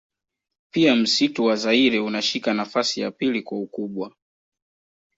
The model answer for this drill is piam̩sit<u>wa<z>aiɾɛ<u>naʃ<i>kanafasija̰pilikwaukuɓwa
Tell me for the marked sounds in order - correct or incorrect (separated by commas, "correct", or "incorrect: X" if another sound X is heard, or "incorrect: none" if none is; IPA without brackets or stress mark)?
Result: correct, correct, correct, correct